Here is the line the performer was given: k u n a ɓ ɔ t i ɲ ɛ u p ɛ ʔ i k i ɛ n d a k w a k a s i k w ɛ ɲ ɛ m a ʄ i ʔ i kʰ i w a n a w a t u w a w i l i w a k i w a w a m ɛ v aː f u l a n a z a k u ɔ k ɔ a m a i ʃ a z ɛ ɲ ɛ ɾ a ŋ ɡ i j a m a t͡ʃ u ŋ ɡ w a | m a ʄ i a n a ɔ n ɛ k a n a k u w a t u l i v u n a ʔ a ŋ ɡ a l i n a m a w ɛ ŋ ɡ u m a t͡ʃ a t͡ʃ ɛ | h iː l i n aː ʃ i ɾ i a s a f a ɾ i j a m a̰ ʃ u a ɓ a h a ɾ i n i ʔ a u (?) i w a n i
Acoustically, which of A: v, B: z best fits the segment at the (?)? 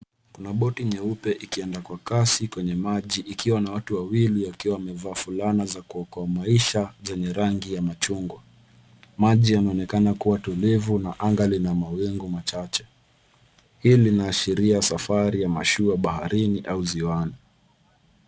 B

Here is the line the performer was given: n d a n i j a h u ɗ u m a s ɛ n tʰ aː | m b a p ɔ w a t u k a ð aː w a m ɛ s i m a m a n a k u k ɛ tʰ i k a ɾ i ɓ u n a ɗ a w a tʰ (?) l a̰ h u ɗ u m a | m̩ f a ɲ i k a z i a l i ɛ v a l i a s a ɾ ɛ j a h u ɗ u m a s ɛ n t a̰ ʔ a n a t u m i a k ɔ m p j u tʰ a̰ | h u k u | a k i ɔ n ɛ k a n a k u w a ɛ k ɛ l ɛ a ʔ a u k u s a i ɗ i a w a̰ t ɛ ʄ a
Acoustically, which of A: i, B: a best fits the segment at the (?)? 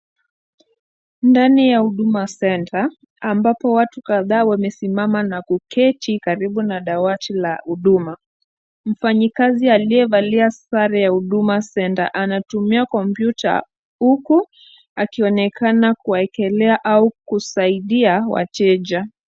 A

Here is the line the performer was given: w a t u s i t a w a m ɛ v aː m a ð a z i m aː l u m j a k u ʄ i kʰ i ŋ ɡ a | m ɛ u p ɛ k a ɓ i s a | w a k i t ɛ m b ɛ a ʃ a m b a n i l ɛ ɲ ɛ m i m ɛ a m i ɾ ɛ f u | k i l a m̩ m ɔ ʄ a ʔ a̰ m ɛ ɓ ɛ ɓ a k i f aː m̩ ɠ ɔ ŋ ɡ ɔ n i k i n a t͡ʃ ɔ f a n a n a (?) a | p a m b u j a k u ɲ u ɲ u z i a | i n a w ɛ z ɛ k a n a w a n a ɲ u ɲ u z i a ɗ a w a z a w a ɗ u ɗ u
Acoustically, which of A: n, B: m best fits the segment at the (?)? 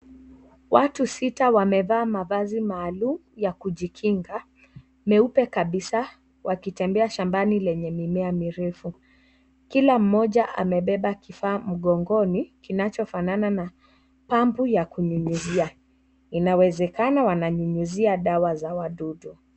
A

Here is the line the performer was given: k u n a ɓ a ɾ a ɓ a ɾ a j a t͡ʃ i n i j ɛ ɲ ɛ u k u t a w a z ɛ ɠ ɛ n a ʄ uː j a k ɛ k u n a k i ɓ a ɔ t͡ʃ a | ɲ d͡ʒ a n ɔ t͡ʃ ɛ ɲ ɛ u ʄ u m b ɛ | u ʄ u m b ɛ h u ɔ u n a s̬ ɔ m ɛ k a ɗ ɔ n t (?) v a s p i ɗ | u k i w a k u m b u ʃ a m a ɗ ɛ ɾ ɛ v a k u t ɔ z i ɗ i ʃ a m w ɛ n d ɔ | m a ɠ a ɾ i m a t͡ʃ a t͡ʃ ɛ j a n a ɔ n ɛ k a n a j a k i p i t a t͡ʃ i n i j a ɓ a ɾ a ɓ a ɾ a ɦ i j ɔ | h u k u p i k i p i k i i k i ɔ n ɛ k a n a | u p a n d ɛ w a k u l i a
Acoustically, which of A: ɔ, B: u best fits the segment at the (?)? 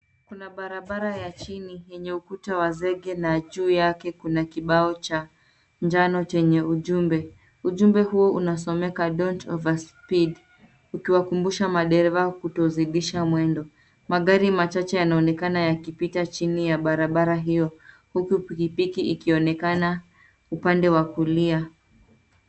A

